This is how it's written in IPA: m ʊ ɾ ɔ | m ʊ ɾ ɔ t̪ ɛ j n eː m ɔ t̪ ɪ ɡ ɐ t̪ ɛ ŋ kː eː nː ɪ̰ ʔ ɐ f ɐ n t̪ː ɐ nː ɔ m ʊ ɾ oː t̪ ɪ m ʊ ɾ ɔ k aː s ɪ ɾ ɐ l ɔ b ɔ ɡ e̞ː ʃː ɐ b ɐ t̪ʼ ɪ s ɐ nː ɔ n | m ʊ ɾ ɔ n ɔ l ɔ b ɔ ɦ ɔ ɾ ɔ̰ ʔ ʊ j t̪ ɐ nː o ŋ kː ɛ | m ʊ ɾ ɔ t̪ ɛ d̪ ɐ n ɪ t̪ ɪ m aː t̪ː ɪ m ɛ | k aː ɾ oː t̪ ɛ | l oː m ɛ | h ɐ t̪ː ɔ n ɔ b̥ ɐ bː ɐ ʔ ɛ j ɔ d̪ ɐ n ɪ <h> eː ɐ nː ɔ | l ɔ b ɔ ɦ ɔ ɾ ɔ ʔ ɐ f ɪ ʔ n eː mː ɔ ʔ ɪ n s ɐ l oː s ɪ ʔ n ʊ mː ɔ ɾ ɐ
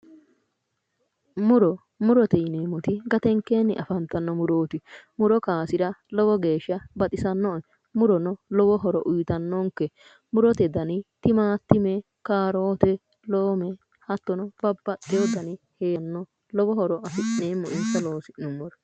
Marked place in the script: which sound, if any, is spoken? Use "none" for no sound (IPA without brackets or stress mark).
h